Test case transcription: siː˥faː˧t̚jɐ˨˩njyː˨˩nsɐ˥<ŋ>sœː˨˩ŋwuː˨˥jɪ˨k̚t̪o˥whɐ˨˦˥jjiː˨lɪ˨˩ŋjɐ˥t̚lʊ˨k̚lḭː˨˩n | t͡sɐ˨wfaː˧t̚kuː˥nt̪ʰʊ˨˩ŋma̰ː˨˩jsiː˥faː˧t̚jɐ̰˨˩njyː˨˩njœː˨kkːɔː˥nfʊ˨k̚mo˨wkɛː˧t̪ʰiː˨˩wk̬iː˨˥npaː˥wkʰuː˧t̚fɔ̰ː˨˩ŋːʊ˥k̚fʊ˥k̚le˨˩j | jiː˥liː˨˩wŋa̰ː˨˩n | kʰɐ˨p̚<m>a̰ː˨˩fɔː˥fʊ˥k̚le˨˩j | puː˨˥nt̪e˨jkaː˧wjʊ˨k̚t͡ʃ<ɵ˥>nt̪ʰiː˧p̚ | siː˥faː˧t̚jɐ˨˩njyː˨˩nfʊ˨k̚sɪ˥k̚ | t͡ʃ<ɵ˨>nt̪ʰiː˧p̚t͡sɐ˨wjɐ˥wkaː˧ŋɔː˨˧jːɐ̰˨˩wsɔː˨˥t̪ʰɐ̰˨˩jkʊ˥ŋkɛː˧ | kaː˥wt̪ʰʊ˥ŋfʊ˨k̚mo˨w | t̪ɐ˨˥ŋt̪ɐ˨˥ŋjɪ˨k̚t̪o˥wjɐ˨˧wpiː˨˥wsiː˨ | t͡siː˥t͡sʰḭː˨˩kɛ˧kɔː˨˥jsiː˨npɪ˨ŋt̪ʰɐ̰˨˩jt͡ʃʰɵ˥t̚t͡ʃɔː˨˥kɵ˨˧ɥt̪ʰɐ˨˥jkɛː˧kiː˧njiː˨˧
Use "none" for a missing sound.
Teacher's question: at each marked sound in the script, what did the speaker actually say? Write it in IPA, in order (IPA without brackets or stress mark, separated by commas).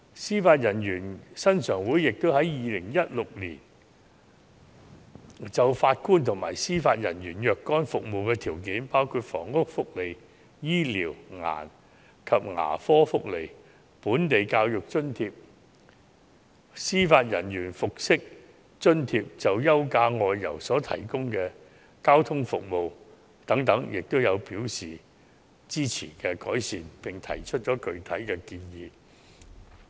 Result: n, ŋ, ɵ˥, ɵ˥